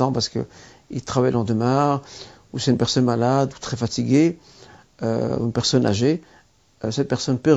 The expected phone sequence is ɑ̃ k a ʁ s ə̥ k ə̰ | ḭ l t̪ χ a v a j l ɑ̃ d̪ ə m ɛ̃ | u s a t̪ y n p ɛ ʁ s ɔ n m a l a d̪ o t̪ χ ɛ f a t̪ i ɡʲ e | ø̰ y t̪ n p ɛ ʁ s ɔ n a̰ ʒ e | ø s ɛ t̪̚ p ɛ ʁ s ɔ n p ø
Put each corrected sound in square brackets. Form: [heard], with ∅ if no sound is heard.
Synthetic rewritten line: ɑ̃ [p] a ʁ s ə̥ k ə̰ | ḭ l t̪ χ a v a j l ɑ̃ d̪ ə m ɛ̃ | u s [ɛ] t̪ y n p ɛ ʁ s ɔ n m a l a d̪ [u] t̪ χ ɛ f a t̪ i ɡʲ e | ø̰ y [∅] n p ɛ ʁ s ɔ n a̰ ʒ e | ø s ɛ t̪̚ p ɛ ʁ s ɔ n p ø